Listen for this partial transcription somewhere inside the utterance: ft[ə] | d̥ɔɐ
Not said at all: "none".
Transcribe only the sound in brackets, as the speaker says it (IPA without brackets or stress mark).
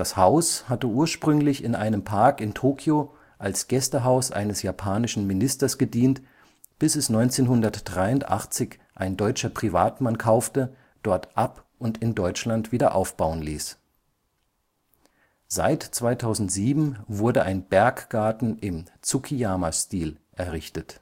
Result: ə